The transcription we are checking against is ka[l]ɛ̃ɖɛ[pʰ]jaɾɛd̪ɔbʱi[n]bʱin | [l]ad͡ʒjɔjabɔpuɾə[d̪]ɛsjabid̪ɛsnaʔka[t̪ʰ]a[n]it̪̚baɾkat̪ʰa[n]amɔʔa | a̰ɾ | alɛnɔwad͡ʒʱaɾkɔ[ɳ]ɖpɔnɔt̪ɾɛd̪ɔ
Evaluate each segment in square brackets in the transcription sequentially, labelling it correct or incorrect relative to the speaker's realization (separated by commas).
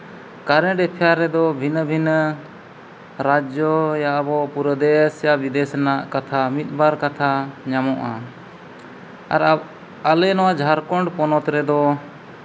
incorrect, correct, correct, incorrect, correct, correct, incorrect, incorrect, correct